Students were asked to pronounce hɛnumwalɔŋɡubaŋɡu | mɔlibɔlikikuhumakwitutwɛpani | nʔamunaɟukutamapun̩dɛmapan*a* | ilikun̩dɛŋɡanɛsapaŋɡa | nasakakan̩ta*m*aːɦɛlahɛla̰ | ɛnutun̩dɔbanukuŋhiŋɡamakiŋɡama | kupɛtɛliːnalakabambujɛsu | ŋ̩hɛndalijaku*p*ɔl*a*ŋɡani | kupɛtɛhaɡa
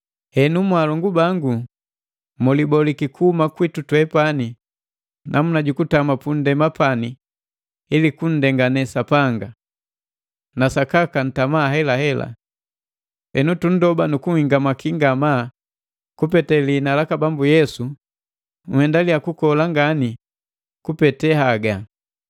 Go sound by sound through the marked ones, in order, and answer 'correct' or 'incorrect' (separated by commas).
incorrect, correct, incorrect, correct